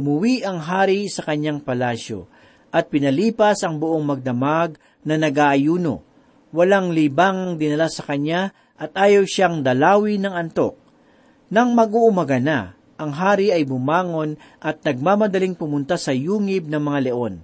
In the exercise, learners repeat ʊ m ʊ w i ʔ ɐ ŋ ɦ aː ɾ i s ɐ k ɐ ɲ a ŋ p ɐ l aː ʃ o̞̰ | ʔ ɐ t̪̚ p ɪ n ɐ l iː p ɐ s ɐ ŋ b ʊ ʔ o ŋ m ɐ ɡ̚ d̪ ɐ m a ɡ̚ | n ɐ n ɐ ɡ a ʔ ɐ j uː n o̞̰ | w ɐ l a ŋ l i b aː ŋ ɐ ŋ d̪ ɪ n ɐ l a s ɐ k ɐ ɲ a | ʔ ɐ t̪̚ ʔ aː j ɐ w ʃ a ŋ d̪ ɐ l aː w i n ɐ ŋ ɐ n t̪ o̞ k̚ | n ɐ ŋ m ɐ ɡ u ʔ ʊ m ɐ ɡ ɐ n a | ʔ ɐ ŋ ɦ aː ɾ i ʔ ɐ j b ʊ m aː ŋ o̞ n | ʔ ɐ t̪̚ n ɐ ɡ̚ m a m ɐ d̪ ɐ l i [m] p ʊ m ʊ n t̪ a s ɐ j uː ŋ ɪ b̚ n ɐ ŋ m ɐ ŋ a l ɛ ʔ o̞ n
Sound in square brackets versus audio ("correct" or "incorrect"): incorrect